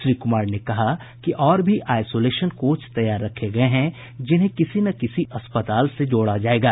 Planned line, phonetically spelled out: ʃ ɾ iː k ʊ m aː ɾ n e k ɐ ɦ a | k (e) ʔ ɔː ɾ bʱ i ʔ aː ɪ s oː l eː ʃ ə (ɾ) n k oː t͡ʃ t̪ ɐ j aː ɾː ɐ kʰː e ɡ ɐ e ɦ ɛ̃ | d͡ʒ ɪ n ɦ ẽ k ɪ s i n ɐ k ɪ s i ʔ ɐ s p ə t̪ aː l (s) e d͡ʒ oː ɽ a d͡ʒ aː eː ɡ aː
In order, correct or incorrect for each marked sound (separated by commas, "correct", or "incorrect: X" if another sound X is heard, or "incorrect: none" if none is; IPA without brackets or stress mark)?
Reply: incorrect: i, incorrect: none, correct